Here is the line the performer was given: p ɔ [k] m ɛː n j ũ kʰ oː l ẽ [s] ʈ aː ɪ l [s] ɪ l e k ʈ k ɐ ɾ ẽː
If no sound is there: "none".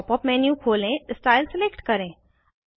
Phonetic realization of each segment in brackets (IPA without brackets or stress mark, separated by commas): p, s, s